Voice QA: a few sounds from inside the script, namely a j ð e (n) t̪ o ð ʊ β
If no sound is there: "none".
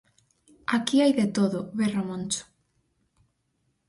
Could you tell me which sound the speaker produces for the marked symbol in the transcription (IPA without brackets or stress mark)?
none